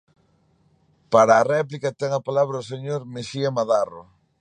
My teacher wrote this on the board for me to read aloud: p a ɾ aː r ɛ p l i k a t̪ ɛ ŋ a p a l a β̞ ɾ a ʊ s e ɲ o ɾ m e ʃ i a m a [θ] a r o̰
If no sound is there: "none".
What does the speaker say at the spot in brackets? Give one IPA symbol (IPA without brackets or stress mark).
ð